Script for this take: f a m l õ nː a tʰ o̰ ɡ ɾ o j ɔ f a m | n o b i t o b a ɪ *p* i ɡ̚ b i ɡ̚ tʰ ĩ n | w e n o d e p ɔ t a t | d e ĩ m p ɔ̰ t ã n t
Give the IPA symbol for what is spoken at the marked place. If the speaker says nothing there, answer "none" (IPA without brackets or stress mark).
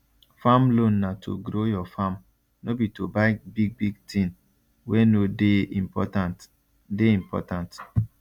b